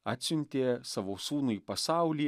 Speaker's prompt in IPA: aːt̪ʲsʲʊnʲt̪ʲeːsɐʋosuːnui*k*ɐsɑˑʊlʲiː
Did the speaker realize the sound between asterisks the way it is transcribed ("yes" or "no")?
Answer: no